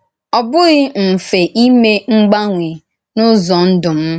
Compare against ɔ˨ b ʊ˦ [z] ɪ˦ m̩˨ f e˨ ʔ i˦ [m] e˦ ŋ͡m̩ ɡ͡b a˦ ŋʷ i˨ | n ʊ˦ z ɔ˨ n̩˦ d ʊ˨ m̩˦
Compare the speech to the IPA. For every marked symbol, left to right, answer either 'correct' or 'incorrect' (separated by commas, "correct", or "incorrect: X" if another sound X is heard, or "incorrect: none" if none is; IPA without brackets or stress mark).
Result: incorrect: ɣ, correct